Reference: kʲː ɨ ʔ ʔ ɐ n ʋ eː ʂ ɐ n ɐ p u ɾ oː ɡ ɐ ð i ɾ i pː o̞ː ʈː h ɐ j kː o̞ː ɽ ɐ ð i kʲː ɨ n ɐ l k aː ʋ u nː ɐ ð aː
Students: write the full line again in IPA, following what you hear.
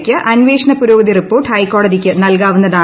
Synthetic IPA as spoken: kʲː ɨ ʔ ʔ ɐ n ʋ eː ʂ ɐ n ɐ p u ɾ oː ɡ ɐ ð i r i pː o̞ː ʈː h ɐ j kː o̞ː ɽ ɐ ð i kʲː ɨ n ɐ l k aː ʋ u nː ɐ ð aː